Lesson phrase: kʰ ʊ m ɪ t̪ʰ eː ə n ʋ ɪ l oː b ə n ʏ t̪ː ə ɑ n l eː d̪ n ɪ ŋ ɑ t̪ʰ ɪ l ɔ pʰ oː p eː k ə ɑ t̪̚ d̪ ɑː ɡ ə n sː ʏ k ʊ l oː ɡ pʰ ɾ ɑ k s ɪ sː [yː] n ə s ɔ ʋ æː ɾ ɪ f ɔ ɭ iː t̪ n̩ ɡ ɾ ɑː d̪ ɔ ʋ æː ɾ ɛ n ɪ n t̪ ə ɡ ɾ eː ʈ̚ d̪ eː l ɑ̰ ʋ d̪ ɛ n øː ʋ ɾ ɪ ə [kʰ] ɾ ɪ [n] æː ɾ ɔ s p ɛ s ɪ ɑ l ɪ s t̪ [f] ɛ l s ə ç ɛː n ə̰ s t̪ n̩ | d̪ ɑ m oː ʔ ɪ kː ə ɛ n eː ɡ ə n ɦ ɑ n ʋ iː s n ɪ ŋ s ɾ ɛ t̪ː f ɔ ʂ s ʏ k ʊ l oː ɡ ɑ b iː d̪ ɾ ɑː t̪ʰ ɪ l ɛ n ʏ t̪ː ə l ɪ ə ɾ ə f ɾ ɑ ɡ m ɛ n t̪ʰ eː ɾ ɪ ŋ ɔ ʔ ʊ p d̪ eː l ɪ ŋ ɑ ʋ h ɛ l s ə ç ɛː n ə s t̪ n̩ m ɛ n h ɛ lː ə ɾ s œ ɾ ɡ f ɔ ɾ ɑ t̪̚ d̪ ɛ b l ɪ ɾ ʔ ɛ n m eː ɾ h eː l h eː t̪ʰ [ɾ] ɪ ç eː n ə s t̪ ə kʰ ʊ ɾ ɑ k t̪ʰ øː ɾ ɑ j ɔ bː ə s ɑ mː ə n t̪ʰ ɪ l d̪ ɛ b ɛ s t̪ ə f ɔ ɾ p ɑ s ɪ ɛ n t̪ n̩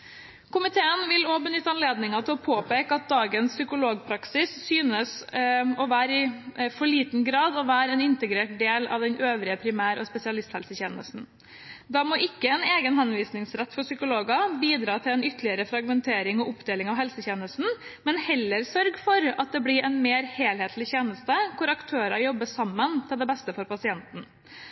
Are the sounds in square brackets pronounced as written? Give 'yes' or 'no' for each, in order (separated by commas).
yes, no, no, no, no